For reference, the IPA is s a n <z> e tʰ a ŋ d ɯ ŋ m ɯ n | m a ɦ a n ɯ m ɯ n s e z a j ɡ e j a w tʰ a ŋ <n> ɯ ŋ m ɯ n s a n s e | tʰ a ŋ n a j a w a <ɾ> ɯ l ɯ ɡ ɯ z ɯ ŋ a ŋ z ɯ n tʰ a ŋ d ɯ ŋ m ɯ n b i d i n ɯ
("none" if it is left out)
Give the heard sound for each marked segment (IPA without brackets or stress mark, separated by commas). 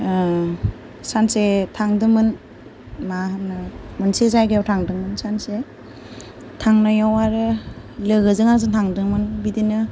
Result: s, d, ɾ